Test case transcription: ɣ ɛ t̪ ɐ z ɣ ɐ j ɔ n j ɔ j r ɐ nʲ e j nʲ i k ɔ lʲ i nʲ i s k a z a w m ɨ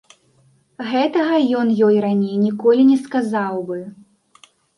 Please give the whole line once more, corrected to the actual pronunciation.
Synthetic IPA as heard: ɣ ɛ t̪ ɐ ɣ ɐ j ɔ n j ɔ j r a nʲ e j nʲ i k ɔ lʲ i nʲ ɛ s k a z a w b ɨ